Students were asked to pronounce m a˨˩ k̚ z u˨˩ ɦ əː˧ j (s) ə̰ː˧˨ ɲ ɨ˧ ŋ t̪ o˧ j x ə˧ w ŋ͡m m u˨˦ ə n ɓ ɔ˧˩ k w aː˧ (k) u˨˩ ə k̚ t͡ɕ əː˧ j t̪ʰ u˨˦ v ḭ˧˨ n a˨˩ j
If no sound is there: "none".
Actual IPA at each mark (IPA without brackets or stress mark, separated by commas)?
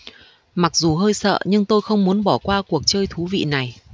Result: s, k